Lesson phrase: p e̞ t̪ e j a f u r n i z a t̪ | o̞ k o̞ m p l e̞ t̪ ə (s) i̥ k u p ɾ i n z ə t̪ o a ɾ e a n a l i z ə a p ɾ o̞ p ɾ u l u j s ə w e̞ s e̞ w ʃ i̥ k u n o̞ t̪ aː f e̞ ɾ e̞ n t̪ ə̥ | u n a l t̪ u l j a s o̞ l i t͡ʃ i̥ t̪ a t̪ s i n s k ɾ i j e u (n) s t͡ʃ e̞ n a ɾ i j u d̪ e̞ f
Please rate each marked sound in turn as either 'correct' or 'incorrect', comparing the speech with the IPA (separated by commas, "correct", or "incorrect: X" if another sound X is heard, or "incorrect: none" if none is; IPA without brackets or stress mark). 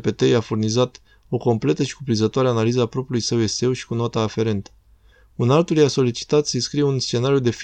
incorrect: ʃ, correct